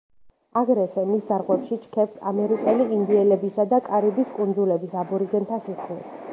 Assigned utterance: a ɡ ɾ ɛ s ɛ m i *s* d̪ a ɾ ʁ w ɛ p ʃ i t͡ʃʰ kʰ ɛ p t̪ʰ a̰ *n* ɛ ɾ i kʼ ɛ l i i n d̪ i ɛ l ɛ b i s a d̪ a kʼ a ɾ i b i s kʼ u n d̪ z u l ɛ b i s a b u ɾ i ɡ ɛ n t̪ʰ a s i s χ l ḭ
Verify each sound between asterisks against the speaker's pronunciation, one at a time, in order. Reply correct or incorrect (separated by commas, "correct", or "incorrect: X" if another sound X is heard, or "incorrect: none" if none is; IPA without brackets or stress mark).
correct, incorrect: m